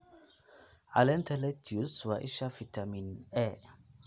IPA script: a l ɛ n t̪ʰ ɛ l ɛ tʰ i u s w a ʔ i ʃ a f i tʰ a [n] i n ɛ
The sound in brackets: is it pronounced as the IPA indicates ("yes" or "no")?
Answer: no